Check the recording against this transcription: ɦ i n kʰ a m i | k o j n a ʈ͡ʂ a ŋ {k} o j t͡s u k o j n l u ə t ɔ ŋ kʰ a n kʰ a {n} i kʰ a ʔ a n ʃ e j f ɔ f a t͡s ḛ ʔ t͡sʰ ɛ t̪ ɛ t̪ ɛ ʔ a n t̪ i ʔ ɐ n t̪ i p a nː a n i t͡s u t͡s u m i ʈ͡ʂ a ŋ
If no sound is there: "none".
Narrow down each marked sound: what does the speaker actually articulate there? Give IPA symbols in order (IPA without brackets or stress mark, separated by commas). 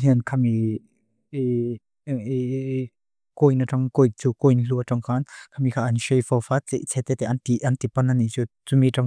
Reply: k, m